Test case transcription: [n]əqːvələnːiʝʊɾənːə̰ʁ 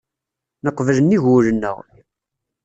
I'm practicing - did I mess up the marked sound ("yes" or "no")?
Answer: no